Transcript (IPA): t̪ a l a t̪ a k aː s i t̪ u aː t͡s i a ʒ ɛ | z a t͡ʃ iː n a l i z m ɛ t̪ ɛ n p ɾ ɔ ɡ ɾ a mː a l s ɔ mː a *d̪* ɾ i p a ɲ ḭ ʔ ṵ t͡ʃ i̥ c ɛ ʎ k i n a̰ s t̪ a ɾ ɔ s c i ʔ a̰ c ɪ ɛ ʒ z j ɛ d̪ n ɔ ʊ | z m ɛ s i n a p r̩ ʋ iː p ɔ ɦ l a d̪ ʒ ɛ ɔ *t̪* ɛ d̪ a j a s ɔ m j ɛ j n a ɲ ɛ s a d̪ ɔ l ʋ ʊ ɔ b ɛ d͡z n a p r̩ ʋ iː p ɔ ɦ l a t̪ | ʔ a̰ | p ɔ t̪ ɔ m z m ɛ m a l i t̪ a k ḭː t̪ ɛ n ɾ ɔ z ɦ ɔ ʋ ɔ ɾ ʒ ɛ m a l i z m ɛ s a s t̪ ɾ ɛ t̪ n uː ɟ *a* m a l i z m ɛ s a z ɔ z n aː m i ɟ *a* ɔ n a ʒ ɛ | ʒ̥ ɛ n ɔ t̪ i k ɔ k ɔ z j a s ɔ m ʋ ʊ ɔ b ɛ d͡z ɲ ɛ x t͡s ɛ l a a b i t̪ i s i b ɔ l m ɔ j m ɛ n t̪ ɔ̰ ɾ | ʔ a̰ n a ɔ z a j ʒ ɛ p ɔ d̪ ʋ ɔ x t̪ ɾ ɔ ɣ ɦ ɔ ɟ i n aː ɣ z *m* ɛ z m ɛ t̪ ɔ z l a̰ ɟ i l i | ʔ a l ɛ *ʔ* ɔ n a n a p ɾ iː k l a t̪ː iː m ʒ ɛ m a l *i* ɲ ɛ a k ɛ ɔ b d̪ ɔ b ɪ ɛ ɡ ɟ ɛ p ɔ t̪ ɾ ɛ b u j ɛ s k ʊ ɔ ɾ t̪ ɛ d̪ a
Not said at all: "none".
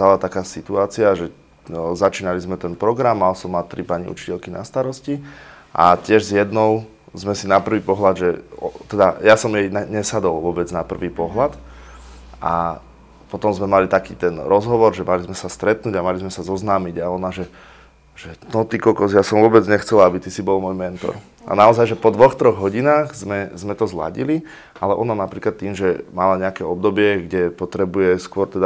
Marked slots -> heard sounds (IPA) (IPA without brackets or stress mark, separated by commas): t̪, t̪, a, a, m, ʔ, a